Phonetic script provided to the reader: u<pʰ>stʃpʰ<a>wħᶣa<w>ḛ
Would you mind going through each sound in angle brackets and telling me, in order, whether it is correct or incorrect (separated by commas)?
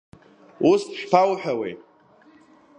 incorrect, correct, correct